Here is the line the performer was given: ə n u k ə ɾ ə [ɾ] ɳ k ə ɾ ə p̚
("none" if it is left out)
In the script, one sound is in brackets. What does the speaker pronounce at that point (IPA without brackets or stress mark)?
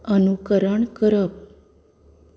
none